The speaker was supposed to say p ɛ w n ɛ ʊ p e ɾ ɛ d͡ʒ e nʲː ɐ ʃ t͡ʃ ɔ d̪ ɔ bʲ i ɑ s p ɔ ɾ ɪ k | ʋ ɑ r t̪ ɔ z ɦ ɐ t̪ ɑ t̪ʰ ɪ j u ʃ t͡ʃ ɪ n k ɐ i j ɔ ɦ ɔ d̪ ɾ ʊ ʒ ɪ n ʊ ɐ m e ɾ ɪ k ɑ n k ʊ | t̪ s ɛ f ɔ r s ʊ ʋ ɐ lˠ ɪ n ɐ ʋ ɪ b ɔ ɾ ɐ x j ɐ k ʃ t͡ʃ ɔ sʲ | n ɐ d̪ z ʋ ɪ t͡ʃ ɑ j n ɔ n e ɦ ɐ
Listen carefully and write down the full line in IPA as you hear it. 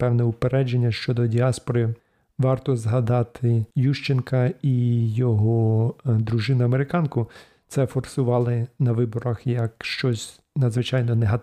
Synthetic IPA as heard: p ɛ w n ɛ ʊ p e ɾ ɛ d͡ʒ e nʲː ɐ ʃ t͡ʃ ɔ d̪ ɔ dʲ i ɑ s p ɔ ɾ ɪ | ʋ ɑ r t̪ ɔ z ɦ ɐ d̪ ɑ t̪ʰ ɪ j u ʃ t͡ʃ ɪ n k ɐ i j ɔ ɦ ɔ d̪ ɾ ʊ ʒ ɪ n ʊ ɐ m e ɾ ɪ k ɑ n k ʊ | t̪ s ɛ f ɔ r s ʊ ʋ ɑ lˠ ɪ n ɐ ʋ ɪ b ɔ ɾ ɐ x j ɐ k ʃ t͡ʃ ɔ sʲ | n ɐ d̪ z ʋ ɪ t͡ʃ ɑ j n ɔ n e ɦ ɐ